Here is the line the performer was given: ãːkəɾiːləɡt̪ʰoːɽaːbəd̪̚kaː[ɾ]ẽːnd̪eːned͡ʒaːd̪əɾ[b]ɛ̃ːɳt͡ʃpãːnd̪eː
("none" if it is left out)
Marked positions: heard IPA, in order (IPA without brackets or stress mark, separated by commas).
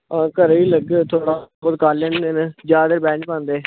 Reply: l, b